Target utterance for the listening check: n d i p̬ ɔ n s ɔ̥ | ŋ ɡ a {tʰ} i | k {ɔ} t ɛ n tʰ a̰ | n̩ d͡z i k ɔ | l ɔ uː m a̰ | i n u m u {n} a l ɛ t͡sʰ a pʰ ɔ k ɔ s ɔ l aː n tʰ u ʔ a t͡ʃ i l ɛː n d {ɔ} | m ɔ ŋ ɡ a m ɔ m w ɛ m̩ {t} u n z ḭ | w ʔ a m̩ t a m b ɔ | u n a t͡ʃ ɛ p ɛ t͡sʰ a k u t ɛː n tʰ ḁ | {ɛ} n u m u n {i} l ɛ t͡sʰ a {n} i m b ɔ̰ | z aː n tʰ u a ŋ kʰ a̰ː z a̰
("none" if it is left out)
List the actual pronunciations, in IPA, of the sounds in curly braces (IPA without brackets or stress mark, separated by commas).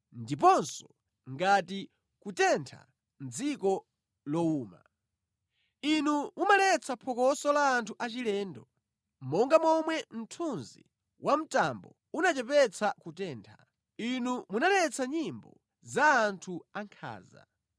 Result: t, u, m, ɔ, tʰ, i, a, ɲ